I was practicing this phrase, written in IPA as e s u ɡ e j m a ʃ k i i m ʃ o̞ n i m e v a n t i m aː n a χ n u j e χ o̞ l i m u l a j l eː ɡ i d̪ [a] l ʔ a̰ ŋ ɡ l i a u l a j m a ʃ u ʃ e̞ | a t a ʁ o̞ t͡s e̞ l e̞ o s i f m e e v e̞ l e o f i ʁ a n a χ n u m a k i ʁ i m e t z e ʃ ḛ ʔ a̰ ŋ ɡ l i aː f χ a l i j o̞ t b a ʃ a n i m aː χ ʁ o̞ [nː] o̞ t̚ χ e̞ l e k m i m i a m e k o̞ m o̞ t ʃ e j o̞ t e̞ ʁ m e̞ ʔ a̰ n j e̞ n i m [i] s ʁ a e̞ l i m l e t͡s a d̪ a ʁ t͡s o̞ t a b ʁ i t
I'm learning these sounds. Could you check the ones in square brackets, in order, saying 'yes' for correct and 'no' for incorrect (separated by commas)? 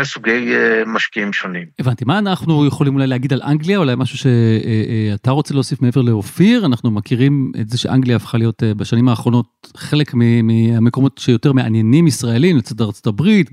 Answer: yes, no, yes